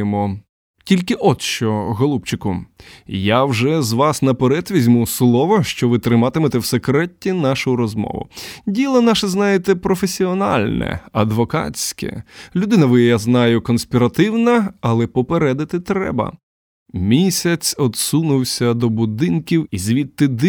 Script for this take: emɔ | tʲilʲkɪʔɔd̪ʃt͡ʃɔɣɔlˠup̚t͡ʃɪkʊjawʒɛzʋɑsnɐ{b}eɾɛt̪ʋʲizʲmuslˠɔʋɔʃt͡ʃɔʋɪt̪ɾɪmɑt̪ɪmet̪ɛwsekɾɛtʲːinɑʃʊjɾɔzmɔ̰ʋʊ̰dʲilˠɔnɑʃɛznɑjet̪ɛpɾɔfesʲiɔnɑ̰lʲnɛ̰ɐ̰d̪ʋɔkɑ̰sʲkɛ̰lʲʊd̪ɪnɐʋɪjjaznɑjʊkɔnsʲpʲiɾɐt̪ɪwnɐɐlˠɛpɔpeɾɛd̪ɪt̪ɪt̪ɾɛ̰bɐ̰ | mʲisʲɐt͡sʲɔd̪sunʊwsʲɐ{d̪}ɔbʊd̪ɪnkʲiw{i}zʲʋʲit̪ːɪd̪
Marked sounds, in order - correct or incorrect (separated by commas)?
incorrect, correct, correct